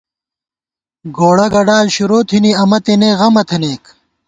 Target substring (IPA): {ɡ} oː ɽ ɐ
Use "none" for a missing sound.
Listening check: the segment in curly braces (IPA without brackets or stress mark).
ɡ